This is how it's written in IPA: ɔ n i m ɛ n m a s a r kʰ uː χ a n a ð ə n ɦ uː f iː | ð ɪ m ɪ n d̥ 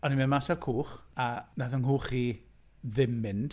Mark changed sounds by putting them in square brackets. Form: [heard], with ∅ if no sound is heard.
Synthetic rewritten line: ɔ n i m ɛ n m a s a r kʰ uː χ a n a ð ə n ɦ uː [χ] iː | ð ɪ m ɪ n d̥

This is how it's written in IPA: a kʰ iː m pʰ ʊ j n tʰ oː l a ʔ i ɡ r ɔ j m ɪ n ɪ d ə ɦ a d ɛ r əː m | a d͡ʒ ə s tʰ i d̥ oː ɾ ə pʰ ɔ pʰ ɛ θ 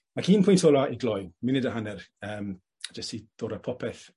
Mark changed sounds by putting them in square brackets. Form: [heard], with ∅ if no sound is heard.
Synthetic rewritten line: a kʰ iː [n] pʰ ʊ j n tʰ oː l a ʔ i ɡ [l] ɔ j m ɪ n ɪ d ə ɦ a [n] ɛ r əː m | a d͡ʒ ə s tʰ i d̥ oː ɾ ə pʰ ɔ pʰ ɛ θ

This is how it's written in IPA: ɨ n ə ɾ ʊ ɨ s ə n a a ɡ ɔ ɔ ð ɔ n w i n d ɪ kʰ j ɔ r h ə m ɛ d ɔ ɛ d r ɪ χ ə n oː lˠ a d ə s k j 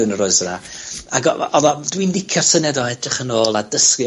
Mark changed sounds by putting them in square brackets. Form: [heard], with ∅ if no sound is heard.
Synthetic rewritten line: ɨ n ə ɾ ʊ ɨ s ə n a a ɡ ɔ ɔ ð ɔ [d] w i n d ɪ kʰ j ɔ r [s] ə [n] ɛ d ɔ ɛ d r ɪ χ ə n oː lˠ a d ə s k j

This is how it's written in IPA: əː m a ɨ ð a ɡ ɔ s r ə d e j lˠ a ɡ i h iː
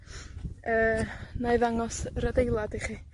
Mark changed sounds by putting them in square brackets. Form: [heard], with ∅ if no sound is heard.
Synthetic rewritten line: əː [n] a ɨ ð a [ŋ] ɔ s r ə d e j lˠ a [d] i [χ] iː

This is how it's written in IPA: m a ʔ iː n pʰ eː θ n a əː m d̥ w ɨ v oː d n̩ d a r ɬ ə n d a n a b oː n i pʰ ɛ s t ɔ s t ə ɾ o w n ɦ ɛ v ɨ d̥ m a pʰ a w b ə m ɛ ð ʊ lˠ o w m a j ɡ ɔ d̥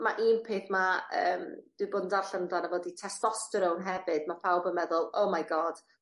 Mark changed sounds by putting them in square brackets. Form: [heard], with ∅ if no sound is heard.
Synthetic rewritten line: m a ʔ iː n pʰ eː θ [m] a əː m d̥ w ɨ [b] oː d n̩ d a r ɬ ə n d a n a [v] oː [d] i [tʰ] ɛ s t ɔ s t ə ɾ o w n ɦ ɛ v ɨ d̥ m a pʰ a w b ə m ɛ ð ʊ lˠ o w m a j ɡ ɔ d̥

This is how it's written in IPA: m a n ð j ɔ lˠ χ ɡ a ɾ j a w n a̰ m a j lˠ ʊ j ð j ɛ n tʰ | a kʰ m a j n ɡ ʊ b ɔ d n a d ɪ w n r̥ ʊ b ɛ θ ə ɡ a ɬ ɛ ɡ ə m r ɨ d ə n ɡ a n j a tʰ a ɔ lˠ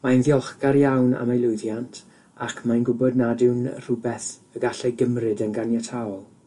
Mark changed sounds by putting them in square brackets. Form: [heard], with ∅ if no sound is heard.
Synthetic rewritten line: m a n ð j ɔ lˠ χ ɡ a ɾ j a w n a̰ m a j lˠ ʊ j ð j [a] n tʰ | a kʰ m a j n ɡ ʊ b ɔ d n a d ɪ w n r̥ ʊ b ɛ θ ə ɡ a ɬ ɛ ɡ ə m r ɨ d ə n ɡ a n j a tʰ a ɔ lˠ

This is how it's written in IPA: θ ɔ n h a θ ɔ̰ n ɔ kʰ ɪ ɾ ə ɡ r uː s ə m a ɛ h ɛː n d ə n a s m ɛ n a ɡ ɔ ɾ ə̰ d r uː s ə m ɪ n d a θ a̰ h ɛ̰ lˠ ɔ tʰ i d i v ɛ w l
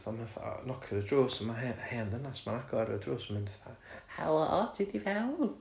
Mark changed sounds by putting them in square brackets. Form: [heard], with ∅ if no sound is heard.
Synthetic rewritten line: θ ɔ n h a θ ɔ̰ n ɔ kʰ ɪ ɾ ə [d] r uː s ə m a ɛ h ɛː n d ə n a s m [a] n a ɡ ɔ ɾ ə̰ d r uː s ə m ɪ n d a θ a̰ h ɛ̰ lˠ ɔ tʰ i d i v ɛ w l

